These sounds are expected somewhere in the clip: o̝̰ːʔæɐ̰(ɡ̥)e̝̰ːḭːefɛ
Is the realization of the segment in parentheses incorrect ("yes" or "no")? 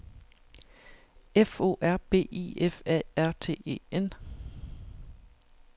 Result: yes